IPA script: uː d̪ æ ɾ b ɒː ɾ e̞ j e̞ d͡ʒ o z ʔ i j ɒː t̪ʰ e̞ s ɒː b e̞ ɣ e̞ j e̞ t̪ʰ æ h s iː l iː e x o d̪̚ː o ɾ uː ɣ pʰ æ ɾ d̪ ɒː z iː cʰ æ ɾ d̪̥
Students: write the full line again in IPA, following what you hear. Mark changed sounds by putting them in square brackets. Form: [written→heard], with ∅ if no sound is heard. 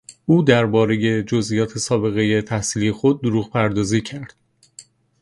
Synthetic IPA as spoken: uː d̪ æ ɾ b ɒː ɾ e̞ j e̞ d͡ʒ o z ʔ i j ɒː t̪ʰ e̞ s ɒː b e̞ ɣ e̞ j e̞ t̪ʰ æ h s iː l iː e x o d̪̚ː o ɾ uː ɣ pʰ æ ɾ d̪ ɒː z iː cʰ æ ɾ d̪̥